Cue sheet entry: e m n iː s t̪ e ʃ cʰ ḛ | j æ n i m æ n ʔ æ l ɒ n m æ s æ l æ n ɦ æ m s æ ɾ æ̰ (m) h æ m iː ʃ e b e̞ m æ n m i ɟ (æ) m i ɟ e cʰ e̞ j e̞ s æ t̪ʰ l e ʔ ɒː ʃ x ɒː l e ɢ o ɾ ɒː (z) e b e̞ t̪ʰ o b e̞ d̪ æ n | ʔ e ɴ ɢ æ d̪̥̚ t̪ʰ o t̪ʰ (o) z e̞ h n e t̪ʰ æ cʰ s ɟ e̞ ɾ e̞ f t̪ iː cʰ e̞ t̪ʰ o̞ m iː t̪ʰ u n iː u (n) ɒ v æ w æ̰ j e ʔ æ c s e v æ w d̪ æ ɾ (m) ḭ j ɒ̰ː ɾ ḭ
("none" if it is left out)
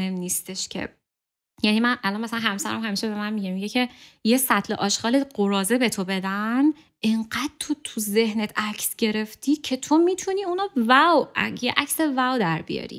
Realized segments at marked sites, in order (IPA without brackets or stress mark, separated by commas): m, e, z, u, n, b